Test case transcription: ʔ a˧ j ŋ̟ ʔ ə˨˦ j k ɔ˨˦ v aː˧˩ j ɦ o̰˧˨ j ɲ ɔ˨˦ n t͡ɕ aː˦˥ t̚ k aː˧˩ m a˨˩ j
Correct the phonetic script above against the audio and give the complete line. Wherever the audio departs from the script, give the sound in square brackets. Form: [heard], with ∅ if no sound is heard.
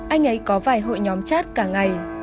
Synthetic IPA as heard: ʔ a˧ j ŋ̟ ʔ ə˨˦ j k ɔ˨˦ v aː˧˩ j ɦ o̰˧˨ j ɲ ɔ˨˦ [m] t͡ɕ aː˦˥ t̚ k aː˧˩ [ŋ] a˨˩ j

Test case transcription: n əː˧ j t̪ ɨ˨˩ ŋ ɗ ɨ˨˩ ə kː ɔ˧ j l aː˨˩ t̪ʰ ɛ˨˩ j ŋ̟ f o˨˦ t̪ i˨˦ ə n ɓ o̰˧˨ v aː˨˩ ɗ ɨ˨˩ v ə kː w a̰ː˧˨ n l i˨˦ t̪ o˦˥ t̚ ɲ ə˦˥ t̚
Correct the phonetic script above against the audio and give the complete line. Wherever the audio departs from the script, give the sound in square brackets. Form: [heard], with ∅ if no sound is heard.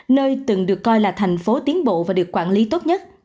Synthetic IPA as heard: n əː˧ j t̪ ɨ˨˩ ŋ ɗ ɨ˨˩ ə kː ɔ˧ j l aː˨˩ t̪ʰ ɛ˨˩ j ŋ̟ f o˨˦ t̪ i˨˦ ə n ɓ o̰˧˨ v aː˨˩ ɗ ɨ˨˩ [∅] ə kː w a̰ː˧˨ n l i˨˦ t̪ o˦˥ t̚ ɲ ə˦˥ t̚

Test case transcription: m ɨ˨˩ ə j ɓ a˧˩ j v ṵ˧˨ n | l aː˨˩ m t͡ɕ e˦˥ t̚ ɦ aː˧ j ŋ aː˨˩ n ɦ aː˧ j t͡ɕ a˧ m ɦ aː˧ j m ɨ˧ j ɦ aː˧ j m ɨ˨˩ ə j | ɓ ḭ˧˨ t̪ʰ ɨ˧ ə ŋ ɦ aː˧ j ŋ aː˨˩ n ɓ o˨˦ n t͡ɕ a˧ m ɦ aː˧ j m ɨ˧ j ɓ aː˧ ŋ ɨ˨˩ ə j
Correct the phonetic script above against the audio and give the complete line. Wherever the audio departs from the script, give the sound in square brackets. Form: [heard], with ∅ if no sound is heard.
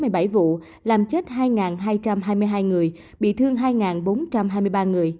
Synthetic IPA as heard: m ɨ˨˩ ə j ɓ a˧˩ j v ṵ˧˨ [∅] | l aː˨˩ m t͡ɕ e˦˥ t̚ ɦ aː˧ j ŋ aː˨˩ n ɦ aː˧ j t͡ɕ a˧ m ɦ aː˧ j m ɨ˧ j ɦ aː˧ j [ŋ] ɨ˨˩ ə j | ɓ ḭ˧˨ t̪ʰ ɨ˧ ə ŋ ɦ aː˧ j ŋ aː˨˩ n ɓ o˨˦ n t͡ɕ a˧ m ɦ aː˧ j m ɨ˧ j ɓ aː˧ ŋ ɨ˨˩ ə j

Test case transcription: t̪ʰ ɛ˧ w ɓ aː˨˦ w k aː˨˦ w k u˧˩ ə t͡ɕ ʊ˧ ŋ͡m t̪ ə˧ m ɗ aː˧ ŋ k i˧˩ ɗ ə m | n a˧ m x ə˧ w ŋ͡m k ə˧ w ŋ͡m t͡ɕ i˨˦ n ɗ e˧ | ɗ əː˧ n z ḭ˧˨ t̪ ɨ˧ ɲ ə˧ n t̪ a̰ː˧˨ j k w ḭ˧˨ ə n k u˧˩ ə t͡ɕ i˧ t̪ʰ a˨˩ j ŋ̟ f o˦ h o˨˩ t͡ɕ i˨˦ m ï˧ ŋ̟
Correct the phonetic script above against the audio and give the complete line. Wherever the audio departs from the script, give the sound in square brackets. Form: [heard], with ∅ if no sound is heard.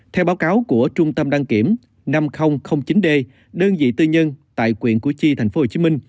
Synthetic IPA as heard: t̪ʰ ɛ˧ w ɓ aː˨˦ w k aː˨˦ w k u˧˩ ə t͡ɕ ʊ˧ ŋ͡m t̪ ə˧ m ɗ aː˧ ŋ k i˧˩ [∅] ə m | n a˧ m x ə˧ w ŋ͡m [x] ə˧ w ŋ͡m t͡ɕ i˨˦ n ɗ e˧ | ɗ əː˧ n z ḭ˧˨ t̪ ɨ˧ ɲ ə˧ n t̪ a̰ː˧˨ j k w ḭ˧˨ ə n k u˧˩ ə t͡ɕ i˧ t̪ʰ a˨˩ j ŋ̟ f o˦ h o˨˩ t͡ɕ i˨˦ m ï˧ ŋ̟

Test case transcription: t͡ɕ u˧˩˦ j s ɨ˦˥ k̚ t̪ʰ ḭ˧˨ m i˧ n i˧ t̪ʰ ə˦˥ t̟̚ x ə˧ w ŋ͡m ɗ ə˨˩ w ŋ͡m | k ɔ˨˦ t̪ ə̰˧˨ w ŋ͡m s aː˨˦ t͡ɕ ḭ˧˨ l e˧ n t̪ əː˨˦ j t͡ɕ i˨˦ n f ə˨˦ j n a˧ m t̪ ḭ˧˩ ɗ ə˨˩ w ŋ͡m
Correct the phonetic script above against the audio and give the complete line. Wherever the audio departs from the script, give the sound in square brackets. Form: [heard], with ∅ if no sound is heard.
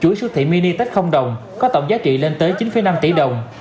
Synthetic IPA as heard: t͡ɕ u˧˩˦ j s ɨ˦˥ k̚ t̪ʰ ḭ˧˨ m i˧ n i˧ [t̪] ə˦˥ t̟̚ x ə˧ w ŋ͡m ɗ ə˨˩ w ŋ͡m | k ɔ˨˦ t̪ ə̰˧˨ w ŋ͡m [z] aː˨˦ t͡ɕ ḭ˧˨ l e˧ n t̪ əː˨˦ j t͡ɕ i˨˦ n f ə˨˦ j n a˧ m t̪ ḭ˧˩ ɗ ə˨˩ w ŋ͡m

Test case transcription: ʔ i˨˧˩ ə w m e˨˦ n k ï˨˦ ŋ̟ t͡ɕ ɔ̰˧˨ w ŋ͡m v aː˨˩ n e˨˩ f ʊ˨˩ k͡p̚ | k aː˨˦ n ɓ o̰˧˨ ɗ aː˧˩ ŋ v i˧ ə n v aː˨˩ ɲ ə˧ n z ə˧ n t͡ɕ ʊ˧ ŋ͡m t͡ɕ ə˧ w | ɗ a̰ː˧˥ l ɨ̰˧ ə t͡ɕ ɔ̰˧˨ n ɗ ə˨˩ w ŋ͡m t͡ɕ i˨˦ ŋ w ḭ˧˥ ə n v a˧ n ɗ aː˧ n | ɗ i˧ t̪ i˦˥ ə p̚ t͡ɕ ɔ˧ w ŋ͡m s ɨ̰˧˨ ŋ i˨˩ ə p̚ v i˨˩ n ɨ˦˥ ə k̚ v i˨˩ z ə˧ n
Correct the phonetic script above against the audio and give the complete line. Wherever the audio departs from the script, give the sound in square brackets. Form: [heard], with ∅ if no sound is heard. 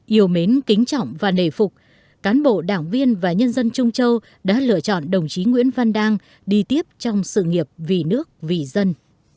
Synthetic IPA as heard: ʔ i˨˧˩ ə w m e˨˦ n k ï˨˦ ŋ̟ t͡ɕ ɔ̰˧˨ w ŋ͡m v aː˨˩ n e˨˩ f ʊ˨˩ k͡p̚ | k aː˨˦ n ɓ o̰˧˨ ɗ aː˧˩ ŋ v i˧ ə n v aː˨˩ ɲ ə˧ n z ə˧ n t͡ɕ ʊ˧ ŋ͡m t͡ɕ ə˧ w | ɗ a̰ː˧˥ l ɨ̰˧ ə t͡ɕ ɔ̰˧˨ n ɗ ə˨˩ w ŋ͡m t͡ɕ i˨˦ ŋ w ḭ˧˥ ə n v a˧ n ɗ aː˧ [ŋ] | ɗ i˧ t̪ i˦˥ ə p̚ t͡ɕ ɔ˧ w ŋ͡m s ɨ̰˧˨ ŋ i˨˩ ə p̚ v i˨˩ n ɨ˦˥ ə k̚ v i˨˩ z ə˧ n

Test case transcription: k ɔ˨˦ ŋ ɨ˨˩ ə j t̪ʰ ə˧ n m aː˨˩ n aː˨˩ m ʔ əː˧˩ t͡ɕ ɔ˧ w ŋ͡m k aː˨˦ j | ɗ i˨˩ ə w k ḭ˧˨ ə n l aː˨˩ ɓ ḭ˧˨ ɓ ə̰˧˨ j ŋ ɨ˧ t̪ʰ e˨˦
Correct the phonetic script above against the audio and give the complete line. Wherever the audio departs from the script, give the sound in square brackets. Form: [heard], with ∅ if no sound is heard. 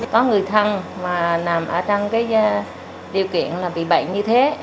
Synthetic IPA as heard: k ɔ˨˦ ŋ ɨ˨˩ ə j t̪ʰ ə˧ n m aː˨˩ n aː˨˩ m ʔ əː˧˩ t͡ɕ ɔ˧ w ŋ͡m k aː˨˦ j | ɗ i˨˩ ə w k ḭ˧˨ ə n l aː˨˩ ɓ ḭ˧˨ ɓ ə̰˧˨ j [ɲ] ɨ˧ t̪ʰ e˨˦

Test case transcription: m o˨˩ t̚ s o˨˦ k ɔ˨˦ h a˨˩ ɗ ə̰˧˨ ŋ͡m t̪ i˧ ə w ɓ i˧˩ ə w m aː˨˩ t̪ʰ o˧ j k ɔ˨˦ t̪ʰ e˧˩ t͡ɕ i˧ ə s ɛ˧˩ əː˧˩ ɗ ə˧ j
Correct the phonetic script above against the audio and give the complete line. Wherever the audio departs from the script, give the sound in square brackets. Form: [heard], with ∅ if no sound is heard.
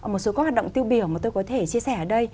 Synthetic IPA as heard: m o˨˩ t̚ s o˨˦ k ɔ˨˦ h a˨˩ ɗ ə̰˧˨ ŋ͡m t̪ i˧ ə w ɓ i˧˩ ə w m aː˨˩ [t̪] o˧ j k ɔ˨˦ t̪ʰ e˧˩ t͡ɕ i˧ ə s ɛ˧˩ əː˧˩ ɗ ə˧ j

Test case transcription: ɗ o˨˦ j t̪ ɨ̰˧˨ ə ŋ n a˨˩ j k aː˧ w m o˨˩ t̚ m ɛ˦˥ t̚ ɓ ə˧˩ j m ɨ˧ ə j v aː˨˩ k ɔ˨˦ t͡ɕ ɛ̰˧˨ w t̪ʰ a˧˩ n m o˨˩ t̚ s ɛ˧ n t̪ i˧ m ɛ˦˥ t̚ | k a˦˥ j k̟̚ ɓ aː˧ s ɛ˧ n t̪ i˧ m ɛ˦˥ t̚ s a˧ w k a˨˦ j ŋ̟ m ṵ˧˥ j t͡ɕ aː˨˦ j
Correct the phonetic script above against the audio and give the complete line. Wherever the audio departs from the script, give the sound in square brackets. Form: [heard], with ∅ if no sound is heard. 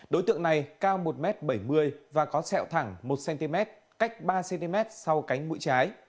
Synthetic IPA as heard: ɗ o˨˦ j t̪ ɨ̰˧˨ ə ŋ n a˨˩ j k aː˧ w m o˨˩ t̚ m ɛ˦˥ t̚ ɓ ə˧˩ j m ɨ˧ ə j v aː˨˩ k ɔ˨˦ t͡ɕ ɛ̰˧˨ w t̪ʰ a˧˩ [ŋ] m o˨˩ t̚ s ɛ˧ n t̪ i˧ m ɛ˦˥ t̚ | k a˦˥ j k̟̚ ɓ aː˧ s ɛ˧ n t̪ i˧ m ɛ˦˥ t̚ s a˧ w k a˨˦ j ŋ̟ m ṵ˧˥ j t͡ɕ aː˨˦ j

